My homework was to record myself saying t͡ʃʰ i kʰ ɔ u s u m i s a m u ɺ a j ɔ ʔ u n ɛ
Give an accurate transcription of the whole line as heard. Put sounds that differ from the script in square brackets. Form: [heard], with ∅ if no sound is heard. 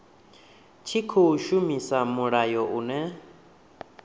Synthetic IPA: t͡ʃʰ i kʰ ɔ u [ʃ] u m i s a m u ɺ a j ɔ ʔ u n ɛ